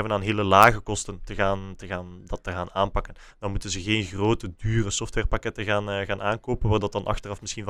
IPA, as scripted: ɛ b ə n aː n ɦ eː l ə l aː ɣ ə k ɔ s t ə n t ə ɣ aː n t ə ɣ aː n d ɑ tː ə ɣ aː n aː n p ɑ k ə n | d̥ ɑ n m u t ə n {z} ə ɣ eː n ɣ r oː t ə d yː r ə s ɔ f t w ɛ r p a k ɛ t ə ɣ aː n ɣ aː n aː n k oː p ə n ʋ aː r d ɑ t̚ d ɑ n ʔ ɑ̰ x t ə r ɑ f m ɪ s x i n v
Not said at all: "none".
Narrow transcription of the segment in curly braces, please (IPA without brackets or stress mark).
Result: z